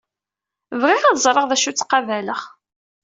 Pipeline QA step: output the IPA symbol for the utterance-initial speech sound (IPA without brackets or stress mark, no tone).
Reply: v